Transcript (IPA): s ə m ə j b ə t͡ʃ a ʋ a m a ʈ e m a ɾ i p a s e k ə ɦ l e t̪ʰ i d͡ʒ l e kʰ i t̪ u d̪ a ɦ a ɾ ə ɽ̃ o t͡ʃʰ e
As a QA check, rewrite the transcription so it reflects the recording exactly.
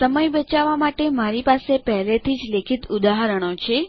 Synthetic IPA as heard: s ə m ə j b ə t͡ʃ a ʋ a m a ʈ e m a ɾ i p a s e p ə ɦ l e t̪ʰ i d͡ʒ l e kʰ i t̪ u d̪ a ɦ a ɾ ə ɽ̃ o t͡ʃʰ e